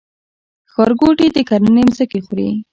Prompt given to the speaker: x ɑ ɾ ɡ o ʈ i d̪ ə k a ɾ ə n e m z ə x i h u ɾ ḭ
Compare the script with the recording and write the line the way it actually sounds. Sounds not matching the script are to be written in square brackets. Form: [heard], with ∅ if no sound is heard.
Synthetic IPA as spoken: x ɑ ɾ ɡ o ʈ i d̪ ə k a ɾ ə n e m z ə [k] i [x] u ɾ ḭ